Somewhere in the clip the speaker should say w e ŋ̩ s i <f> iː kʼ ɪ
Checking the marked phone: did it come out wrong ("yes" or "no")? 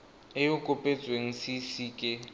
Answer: yes